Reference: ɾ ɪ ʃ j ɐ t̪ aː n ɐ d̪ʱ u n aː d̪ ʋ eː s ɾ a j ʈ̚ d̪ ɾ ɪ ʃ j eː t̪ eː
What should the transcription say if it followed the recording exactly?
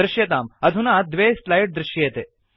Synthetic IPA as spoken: ɾ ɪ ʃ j ɐ t̪ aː m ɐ d̪ʱ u n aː d̪ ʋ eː s l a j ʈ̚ d̪ ɾ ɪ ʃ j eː t̪ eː